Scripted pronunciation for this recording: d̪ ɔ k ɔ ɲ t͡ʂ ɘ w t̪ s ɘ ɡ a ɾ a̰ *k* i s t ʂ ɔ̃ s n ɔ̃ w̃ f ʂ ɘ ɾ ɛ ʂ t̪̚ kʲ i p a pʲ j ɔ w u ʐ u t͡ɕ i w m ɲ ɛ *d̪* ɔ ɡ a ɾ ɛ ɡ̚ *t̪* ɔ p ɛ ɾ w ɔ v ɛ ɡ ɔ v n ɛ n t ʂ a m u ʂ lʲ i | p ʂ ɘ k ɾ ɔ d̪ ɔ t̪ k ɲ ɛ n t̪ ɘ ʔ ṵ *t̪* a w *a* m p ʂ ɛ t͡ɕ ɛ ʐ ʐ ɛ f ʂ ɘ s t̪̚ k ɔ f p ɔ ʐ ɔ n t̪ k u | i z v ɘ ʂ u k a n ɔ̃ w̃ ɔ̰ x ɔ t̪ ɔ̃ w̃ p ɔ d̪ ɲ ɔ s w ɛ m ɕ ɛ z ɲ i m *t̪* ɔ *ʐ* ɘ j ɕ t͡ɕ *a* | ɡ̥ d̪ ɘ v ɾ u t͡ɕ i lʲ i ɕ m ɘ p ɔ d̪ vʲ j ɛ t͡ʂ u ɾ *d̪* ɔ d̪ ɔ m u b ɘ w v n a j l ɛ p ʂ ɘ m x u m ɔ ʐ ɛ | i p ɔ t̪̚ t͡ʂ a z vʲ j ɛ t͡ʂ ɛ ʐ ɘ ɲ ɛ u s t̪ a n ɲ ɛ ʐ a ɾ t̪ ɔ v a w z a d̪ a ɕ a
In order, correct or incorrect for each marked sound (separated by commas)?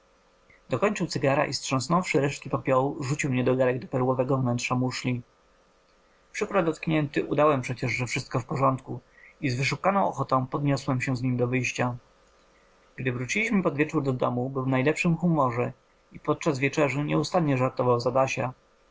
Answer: incorrect, correct, incorrect, incorrect, incorrect, incorrect, incorrect, correct, correct